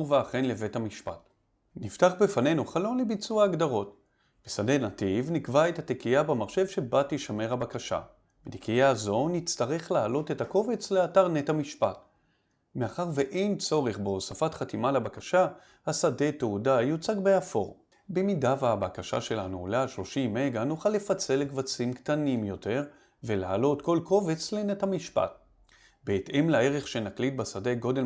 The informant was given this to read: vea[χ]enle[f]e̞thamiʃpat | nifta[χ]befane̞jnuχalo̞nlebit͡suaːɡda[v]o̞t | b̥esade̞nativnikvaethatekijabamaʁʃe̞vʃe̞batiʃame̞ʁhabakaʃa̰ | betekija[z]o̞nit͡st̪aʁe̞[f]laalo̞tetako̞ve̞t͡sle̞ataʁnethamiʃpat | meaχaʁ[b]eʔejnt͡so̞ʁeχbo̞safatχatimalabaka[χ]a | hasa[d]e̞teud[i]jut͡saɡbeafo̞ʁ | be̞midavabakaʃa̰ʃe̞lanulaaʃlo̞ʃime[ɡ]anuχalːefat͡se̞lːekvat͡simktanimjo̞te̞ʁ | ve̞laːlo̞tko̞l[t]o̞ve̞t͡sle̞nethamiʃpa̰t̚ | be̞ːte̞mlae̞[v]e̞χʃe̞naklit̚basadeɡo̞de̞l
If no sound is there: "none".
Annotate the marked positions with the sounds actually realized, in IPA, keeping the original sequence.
χ, v, χ, ʁ, z, χ, v, ʃ, d, a, ɡ, k, ʁ

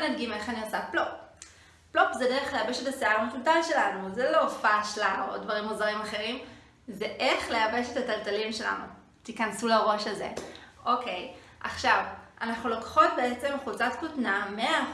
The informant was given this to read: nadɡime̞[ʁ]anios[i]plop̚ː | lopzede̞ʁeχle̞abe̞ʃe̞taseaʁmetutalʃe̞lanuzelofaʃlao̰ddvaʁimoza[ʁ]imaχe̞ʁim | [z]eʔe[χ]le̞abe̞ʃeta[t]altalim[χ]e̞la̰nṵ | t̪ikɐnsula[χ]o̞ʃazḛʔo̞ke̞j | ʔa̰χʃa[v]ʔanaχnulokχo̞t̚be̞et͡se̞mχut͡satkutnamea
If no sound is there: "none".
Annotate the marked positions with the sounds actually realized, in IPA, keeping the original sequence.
χ, a, ʁ, z, χ, t, ʃ, ʁ, v

